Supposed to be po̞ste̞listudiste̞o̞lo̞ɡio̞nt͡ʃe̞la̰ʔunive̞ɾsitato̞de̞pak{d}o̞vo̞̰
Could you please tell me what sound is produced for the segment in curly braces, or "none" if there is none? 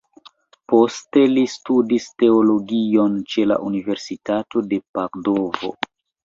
d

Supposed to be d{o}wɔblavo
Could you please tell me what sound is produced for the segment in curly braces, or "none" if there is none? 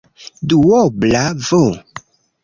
u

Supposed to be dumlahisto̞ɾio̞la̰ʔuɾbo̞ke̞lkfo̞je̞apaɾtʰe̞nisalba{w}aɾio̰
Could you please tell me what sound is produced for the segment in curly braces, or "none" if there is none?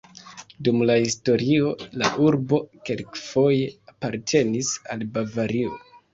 v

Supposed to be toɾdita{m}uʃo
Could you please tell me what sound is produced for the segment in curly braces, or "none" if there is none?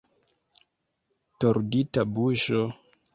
b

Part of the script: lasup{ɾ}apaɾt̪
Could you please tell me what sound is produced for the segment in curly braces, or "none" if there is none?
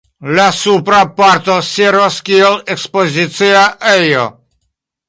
ɾ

